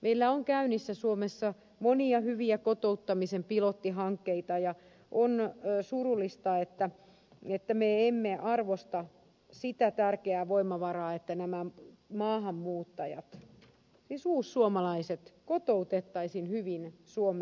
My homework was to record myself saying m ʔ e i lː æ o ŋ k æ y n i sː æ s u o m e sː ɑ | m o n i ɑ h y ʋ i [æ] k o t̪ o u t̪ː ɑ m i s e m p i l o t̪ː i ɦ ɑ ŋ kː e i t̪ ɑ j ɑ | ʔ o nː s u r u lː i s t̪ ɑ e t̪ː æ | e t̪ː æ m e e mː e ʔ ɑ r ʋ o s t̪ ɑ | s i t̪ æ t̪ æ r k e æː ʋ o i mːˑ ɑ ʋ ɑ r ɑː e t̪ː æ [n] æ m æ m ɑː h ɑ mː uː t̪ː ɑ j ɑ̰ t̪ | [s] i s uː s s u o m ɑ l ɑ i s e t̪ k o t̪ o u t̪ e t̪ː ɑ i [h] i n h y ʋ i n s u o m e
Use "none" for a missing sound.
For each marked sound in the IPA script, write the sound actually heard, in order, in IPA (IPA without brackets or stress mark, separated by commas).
æ, n, s, s